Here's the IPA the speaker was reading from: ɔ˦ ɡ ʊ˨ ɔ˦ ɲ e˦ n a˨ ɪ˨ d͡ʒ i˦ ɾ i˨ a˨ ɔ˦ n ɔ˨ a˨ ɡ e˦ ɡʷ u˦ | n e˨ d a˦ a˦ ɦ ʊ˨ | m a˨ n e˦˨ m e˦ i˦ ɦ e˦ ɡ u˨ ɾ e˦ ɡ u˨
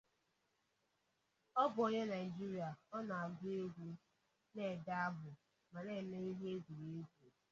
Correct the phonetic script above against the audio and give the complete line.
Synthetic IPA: ɔ˦ b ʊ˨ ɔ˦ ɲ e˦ n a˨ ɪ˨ d͡ʒ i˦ ɾ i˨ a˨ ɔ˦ n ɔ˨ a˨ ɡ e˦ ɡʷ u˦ | n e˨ d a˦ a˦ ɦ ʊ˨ | m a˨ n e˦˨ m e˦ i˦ ɦ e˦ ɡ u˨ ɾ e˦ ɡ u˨

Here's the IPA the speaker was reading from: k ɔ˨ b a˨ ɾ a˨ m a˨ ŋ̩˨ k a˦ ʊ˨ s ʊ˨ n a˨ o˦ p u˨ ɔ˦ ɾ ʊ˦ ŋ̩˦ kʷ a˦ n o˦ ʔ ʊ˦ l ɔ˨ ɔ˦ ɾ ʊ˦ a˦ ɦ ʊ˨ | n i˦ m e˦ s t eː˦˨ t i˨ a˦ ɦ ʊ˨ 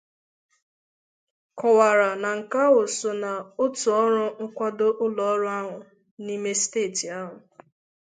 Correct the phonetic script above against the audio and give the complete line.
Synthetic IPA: k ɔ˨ w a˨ ɾ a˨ n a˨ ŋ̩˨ k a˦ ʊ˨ s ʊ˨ n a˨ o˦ t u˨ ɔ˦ ɾ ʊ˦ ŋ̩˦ kʷ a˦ d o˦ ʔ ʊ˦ l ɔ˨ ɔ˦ ɾ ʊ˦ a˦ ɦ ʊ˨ | n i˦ m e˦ s t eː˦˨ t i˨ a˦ ɦ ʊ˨

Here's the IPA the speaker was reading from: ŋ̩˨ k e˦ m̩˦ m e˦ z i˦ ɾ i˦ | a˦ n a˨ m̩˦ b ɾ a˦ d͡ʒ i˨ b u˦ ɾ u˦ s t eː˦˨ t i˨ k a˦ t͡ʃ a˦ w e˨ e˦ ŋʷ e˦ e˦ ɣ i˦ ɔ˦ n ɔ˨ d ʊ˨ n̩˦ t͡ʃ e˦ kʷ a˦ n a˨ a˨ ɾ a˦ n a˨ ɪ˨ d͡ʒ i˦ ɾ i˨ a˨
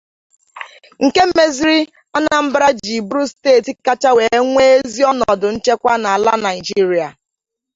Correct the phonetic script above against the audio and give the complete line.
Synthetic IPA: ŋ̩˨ k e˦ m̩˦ m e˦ z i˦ ɾ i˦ | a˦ n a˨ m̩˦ b ɾ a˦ d͡ʒ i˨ b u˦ ɾ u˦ s t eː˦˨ t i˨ k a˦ t͡ʃ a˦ w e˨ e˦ ŋʷ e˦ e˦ z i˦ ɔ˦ n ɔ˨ d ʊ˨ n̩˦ t͡ʃ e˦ kʷ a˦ n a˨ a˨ l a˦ n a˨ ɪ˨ d͡ʒ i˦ ɾ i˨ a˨

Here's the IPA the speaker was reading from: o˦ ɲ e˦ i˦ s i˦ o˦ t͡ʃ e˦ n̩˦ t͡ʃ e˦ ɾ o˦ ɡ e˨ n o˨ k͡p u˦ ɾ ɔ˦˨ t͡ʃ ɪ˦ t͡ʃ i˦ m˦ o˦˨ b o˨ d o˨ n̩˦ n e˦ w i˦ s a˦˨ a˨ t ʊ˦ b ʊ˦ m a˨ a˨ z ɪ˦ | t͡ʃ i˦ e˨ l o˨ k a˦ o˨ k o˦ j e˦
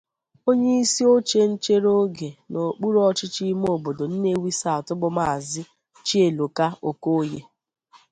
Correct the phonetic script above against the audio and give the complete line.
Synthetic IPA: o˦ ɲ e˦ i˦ s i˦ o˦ t͡ʃ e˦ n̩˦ t͡ʃ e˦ ɾ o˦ ɡ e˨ n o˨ k͡p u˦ ɾ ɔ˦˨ t͡ʃ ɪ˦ t͡ʃ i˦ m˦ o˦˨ b o˨ d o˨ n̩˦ n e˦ w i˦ s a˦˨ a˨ t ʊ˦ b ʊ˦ m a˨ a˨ z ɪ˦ | t͡ʃ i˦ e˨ l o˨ k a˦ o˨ k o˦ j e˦

